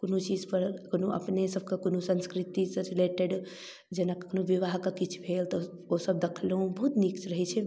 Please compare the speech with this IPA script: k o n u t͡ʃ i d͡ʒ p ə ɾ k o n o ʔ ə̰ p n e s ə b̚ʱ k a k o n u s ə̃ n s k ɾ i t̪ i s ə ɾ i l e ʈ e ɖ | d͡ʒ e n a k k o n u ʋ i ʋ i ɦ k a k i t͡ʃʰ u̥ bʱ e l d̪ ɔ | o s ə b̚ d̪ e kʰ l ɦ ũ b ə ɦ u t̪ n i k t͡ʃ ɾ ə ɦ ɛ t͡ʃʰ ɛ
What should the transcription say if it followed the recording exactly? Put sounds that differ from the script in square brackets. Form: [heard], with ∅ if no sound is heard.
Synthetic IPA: k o n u t͡ʃ i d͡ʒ p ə ɾ k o n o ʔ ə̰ p n e s ə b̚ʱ k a k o n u s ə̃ n s k ɾ i t̪ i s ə ɾ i l e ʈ e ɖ | d͡ʒ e n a k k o n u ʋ i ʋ [a] ɦ k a k i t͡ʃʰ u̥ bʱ e l [t̪] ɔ | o s ə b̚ d̪ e kʰ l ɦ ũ b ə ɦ u t̪ n i k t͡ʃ ɾ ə ɦ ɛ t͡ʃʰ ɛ